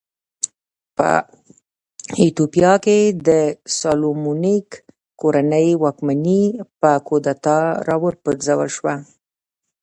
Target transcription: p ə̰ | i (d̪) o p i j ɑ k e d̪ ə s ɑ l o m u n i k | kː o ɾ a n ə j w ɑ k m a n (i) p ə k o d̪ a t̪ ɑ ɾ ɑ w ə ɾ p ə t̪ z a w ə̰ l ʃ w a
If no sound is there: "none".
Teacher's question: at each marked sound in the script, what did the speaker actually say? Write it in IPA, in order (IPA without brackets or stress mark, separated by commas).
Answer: t̪, i